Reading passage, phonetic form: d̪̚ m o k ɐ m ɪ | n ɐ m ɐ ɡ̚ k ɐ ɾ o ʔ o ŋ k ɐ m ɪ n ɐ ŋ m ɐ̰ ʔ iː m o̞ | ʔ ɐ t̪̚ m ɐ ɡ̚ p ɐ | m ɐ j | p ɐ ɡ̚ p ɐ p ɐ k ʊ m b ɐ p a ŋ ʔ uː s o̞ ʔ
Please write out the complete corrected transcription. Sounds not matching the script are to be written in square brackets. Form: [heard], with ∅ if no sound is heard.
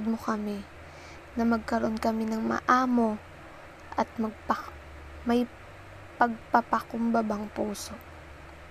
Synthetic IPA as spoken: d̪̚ m o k ɐ m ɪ | n ɐ m ɐ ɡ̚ k ɐ ɾ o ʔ o [n] k ɐ m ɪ n ɐ ŋ m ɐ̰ ʔ [aː] m o̞ | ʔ ɐ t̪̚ m ɐ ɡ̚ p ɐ | m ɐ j | p ɐ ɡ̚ p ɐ p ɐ k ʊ m b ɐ [b] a ŋ [p] uː s o̞ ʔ